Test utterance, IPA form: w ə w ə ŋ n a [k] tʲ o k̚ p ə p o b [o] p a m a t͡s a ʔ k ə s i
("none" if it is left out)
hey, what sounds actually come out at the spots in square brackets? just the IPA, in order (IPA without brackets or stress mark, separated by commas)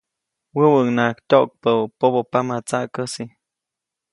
k, o